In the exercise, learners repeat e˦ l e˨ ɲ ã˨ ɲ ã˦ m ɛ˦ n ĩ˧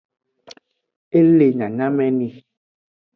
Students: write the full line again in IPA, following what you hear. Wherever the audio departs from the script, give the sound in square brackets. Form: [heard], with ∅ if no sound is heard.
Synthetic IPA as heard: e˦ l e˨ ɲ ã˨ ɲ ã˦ m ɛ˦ n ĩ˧

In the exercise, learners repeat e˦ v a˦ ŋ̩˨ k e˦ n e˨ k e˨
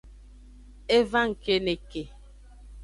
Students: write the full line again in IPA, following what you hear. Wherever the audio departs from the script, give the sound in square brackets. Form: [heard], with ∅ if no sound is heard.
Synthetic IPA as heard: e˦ v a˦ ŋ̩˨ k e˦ n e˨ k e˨

